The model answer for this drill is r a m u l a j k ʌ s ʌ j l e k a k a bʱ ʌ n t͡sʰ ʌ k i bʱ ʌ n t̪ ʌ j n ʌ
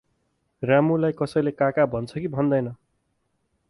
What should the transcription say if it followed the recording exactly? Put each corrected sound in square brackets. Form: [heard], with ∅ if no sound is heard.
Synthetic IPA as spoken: r a m u l a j k ʌ s ʌ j l e k a k a bʱ ʌ n t͡sʰ ʌ k i bʱ ʌ n [d̪] ʌ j n ʌ